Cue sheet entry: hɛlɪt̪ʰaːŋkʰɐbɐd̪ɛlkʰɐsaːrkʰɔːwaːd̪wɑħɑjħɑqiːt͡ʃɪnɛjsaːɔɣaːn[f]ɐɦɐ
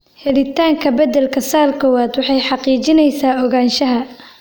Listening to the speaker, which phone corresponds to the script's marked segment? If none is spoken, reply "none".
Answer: ʃ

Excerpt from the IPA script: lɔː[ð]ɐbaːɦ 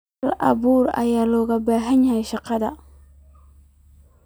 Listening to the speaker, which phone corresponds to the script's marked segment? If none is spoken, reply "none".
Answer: ɣ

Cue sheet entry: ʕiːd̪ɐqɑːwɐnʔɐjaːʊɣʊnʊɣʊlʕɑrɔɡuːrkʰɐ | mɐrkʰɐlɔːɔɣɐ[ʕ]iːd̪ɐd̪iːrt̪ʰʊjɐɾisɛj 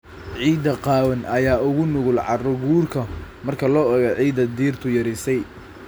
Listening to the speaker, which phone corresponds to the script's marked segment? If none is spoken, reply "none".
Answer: ʕ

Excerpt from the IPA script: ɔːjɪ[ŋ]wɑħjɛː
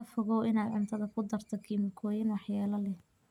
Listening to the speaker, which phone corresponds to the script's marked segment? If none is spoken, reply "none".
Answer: n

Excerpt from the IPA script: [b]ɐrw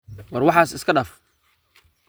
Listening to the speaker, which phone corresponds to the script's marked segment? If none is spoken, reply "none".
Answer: w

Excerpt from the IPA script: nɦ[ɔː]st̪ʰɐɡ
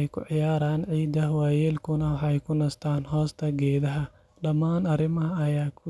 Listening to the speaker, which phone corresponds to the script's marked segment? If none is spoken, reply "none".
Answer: ɔː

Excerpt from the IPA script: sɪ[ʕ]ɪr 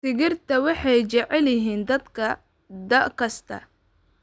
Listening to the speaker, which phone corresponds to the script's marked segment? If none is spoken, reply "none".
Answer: ɣ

